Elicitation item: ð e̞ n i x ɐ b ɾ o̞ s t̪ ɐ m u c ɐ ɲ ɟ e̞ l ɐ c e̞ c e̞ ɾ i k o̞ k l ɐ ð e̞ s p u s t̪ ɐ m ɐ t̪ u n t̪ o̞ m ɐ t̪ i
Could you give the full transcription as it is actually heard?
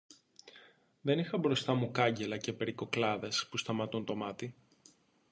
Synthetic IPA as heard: ð e̞ n i x ɐ b ɾ o̞ s t̪ ɐ m u k ɐ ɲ ɟ e̞ l ɐ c e̞ p e̞ ɾ i k o̞ k l ɐ ð e̞ s p u s t̪ ɐ m ɐ t̪ u n t̪ o̞ m ɐ t̪ i